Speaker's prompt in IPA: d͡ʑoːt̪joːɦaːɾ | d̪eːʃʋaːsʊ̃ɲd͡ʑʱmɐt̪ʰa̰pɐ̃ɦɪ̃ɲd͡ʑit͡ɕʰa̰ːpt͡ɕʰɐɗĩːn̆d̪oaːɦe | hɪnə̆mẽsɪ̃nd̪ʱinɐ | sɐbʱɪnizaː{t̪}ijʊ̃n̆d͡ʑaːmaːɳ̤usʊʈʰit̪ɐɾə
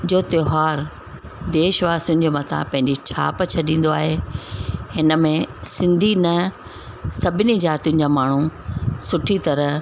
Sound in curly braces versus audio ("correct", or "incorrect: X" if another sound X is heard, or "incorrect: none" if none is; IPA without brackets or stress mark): correct